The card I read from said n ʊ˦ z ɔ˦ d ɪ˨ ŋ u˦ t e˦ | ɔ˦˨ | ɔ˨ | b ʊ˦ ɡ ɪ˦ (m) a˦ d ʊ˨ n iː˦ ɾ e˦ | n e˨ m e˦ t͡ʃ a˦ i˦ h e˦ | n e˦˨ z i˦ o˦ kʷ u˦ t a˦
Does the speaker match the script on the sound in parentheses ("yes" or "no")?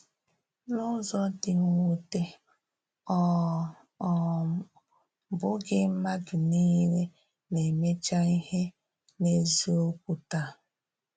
yes